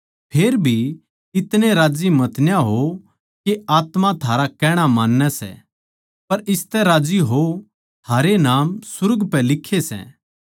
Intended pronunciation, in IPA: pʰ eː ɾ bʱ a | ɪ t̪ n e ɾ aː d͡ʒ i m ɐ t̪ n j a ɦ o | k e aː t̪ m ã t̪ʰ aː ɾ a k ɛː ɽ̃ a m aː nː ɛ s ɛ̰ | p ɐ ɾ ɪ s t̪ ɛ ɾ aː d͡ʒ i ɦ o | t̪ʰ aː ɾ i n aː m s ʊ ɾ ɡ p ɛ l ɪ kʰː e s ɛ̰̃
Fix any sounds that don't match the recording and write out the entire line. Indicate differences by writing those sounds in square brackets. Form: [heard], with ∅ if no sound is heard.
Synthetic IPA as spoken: pʰ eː ɾ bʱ [i] | ɪ t̪ n e ɾ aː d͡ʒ i m ɐ t̪ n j a ɦ o | k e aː t̪ m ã t̪ʰ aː ɾ a k ɛː ɽ̃ a m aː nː ɛ s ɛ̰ | p ɐ ɾ ɪ s t̪ ɛ ɾ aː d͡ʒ i ɦ o | t̪ʰ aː ɾ [e] n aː m s ʊ ɾ ɡ p ɛ l ɪ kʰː e s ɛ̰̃